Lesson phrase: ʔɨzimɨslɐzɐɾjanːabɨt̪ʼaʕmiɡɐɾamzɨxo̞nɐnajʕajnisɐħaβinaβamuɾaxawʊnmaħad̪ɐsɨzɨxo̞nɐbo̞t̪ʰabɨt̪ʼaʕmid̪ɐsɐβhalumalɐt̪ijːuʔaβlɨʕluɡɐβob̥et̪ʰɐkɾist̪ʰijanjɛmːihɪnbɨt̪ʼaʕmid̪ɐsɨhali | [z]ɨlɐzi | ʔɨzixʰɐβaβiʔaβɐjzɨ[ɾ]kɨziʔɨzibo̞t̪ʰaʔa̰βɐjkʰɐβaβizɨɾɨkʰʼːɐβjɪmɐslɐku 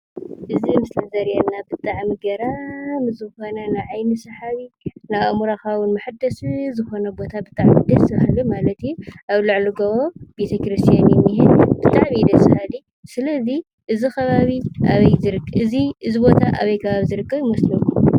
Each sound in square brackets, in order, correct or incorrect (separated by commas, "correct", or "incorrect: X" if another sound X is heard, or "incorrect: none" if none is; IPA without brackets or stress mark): incorrect: s, correct